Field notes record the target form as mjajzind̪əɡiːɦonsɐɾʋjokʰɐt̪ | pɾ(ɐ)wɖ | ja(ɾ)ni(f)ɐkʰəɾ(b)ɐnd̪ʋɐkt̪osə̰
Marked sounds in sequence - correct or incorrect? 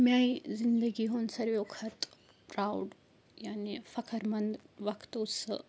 incorrect: a, incorrect: none, correct, incorrect: m

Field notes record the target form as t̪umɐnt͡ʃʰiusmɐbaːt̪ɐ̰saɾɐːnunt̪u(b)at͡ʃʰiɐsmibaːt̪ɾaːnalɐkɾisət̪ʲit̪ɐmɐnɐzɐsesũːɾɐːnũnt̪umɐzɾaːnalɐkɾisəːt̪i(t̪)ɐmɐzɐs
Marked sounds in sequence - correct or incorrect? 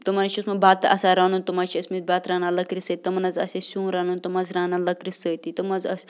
incorrect: m, correct

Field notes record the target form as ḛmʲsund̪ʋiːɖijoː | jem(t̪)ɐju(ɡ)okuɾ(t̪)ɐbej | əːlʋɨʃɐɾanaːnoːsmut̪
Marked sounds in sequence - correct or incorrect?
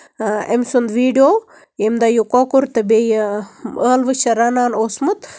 incorrect: d̪, incorrect: k, correct

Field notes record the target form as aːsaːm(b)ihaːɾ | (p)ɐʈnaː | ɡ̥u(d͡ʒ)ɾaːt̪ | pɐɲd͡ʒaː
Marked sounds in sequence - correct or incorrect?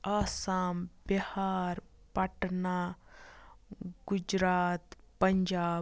correct, correct, correct

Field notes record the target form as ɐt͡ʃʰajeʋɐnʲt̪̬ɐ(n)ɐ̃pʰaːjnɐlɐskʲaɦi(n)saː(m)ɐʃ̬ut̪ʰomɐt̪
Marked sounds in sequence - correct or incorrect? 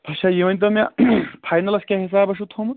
incorrect: m, incorrect: none, incorrect: b

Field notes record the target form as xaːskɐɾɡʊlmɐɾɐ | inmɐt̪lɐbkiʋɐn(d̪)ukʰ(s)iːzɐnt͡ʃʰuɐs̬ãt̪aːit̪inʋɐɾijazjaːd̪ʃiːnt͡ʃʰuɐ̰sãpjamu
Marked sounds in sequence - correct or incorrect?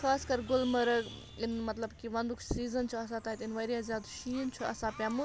correct, correct

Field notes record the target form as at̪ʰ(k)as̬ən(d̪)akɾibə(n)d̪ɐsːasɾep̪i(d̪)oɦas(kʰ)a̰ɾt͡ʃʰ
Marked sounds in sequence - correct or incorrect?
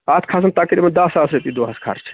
incorrect: kʰ, incorrect: t̪, correct, correct, correct

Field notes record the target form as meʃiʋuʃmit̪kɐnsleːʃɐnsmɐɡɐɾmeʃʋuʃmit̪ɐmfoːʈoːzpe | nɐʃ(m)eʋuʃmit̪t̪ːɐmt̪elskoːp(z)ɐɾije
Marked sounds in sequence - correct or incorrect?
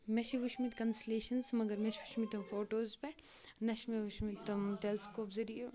correct, correct

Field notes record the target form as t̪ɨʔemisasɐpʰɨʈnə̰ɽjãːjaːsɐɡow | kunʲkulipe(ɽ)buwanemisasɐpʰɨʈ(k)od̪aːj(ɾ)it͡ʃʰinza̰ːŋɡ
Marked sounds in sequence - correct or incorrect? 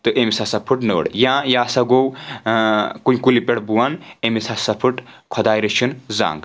correct, incorrect: kʰ, correct

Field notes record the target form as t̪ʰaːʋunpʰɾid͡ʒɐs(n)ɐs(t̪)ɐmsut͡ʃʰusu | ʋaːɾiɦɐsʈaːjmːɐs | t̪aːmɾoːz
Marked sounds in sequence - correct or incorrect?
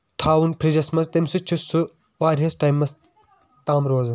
incorrect: m, correct

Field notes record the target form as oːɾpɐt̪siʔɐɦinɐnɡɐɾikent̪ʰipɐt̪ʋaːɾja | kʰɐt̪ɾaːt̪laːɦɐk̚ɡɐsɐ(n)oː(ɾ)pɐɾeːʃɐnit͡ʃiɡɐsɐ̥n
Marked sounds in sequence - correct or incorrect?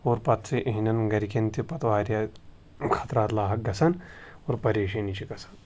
correct, correct

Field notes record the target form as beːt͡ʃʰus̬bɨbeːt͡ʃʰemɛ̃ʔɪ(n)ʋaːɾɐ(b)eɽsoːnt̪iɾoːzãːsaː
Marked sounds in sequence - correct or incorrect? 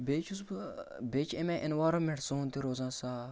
correct, incorrect: m

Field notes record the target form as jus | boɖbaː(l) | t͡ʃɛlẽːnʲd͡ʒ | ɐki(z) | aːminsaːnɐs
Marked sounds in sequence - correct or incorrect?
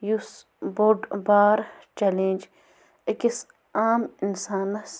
incorrect: ɾ, incorrect: s

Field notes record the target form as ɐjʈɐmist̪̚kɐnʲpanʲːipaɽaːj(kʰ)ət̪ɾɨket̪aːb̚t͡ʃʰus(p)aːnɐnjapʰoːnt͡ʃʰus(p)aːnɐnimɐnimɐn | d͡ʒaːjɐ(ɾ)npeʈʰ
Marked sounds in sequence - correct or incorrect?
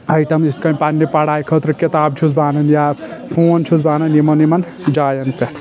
correct, incorrect: b, incorrect: b, incorrect: none

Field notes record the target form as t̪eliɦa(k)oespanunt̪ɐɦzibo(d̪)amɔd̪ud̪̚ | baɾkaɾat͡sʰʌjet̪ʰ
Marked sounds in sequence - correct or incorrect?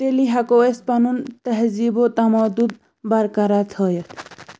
correct, incorrect: t̪

